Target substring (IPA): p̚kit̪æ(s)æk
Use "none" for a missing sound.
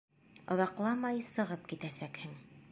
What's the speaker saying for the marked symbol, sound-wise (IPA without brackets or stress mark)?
s